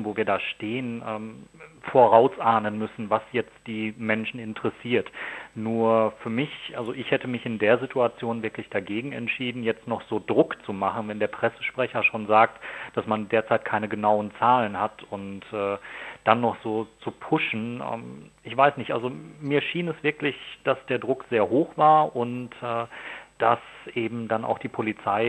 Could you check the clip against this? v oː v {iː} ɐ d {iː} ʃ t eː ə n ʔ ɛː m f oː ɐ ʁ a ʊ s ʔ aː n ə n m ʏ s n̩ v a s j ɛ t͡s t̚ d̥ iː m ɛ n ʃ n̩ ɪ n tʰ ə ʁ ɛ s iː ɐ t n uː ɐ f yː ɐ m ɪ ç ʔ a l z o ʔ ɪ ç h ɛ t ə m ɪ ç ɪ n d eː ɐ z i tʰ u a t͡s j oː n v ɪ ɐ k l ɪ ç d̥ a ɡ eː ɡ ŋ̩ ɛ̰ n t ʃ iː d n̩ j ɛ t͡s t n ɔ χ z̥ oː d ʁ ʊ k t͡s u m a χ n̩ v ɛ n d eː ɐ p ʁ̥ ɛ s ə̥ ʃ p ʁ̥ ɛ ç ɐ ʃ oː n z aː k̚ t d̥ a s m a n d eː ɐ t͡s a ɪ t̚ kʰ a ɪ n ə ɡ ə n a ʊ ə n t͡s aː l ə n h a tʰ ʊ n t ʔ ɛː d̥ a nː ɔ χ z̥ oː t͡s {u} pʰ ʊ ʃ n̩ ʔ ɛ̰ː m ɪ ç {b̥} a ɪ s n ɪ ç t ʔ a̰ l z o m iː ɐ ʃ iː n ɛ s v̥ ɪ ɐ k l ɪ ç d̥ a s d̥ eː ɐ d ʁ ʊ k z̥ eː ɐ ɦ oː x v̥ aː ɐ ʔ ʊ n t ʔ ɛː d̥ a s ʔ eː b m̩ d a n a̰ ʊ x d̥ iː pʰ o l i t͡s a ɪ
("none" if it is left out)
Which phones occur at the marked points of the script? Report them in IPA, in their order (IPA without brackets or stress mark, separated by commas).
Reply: iː, aː, u, v̥